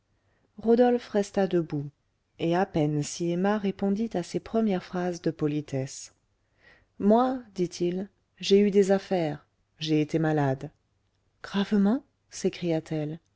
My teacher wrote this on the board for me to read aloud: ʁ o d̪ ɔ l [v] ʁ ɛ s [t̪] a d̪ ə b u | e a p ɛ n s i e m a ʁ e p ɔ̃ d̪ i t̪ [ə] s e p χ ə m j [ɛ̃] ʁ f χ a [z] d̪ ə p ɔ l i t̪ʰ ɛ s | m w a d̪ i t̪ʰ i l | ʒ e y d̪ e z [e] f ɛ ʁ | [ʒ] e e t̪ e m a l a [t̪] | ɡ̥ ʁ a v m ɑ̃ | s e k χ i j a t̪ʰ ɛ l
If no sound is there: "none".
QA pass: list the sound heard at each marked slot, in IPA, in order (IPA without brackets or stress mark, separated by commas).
f, t̪, a, ɛ, z, a, ʒ, d̪